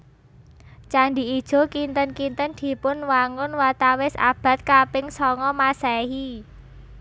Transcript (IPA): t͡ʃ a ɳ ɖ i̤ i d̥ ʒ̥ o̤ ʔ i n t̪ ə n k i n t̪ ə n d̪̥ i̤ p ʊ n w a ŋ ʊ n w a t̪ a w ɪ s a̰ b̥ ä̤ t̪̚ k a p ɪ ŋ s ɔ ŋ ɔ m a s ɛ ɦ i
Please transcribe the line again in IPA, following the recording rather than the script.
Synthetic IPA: t͡ʃ a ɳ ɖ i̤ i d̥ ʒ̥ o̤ k i n t̪ ə n k i n t̪ ə n d̪̥ i̤ p ʊ n w a ŋ ʊ n w a t̪ a w ɪ s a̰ b̥ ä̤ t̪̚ k a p ɪ ŋ s ɔ ŋ ɔ m a s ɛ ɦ i